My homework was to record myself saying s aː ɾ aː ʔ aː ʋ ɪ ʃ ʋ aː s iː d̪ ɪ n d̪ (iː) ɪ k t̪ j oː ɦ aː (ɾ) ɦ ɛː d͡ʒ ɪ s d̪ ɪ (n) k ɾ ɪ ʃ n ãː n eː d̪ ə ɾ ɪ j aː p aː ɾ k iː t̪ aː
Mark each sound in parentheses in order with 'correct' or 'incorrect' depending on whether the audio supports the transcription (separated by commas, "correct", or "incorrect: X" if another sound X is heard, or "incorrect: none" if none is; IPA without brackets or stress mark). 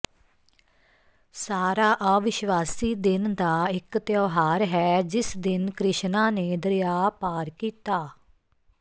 incorrect: aː, correct, correct